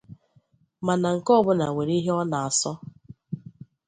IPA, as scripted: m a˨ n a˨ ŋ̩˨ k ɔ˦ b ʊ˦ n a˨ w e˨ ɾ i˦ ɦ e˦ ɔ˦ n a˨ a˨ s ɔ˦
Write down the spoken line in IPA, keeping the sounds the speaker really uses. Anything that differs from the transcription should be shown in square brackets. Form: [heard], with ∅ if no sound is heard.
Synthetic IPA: m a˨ n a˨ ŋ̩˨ k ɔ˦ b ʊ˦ n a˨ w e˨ ɾ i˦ ɦ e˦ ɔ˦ n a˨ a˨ s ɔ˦

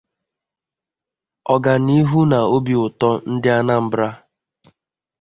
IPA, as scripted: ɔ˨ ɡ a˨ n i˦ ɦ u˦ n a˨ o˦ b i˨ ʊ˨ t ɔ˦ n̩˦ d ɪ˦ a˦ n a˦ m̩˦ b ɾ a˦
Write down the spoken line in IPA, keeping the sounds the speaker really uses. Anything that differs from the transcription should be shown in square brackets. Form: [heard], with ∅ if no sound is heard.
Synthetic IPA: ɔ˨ ɡ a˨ n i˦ ɦ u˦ n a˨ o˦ b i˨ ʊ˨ t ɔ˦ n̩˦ d ɪ˦ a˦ n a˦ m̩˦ b ɾ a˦

